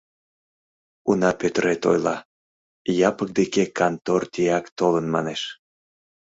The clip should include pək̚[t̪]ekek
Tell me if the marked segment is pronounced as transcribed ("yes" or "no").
no